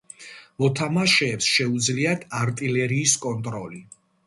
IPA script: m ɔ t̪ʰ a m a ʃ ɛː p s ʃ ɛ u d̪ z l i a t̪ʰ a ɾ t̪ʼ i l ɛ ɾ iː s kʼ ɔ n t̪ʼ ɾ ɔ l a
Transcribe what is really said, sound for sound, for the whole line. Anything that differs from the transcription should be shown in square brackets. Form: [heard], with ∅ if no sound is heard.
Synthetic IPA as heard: m ɔ t̪ʰ a m a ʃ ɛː p s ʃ ɛ u d̪ z l i a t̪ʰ a ɾ t̪ʼ i l ɛ ɾ iː s kʼ ɔ n t̪ʼ ɾ ɔ l [i]